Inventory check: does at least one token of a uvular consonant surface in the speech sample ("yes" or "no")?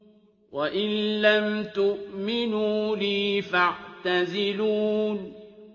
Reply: no